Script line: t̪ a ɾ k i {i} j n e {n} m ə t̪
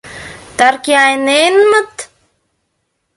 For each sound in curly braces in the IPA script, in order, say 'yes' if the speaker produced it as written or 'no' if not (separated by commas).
no, yes